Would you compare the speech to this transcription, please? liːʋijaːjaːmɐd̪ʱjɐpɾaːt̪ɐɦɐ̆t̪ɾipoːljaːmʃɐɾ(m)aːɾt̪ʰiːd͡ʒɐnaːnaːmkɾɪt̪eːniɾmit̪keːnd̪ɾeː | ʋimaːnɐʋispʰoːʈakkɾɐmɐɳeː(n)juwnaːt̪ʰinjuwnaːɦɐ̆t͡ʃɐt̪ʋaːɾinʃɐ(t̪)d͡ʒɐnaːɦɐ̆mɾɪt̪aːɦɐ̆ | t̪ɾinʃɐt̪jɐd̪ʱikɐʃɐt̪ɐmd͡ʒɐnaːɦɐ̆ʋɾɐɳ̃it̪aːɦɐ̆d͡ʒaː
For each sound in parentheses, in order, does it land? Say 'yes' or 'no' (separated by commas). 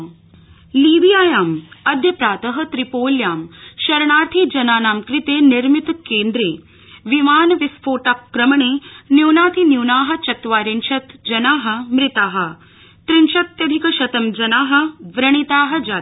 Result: no, yes, yes